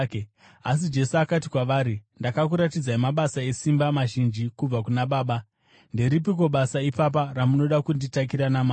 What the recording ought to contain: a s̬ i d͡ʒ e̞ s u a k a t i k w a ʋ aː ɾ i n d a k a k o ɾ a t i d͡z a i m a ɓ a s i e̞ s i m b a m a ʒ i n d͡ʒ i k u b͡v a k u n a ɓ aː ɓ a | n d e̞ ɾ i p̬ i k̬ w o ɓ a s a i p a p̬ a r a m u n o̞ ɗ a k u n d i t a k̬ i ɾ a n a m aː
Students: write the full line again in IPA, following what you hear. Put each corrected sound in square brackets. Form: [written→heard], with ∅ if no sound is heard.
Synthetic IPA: a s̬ i d͡ʒ e̞ s u a k a t i k w a ʋ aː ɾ i n d a k a k [o→u] ɾ a t i d͡z a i m a ɓ a s [i→a] e̞ s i m b a m a ʒ i n d͡ʒ i k u b͡v a k u n a ɓ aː ɓ a | n d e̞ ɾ i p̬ i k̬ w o ɓ a s a i p a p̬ a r a m u n o̞ ɗ a k u n d i t a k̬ i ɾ a n a m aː